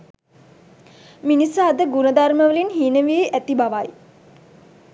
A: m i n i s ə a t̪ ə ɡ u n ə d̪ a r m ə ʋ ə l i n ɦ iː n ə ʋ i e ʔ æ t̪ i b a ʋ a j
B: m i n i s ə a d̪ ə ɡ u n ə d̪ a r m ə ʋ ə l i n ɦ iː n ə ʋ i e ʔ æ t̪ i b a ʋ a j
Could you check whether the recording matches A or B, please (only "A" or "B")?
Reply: B